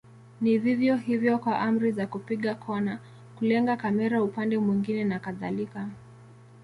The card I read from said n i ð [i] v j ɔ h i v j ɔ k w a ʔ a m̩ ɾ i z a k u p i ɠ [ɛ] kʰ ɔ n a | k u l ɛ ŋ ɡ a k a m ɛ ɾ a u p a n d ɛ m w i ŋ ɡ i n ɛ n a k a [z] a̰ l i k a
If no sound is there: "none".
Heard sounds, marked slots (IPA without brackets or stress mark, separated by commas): i, a, ð